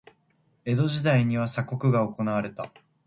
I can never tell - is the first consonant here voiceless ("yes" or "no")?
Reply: no